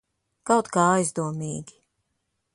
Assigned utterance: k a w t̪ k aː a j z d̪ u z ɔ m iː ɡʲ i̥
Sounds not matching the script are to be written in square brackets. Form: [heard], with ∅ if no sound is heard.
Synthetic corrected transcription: k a w t̪ k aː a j z d̪ u [∅] ɔ m iː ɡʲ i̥